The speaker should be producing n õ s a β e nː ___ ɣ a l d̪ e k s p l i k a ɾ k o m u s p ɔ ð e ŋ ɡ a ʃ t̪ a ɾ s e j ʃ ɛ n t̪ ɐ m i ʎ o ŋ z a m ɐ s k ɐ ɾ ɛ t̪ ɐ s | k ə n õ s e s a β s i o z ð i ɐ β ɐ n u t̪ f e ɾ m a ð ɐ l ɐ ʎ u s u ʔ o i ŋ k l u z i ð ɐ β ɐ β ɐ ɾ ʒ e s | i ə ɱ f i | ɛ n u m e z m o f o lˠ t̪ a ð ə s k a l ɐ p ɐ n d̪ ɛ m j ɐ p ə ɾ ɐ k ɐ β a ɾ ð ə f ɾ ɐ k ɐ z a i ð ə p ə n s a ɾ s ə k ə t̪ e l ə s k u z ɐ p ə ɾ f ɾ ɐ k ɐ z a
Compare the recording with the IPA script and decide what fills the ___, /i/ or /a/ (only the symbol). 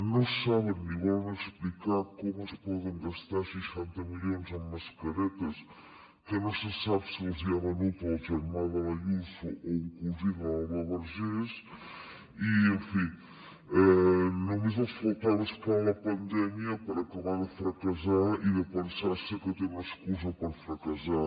i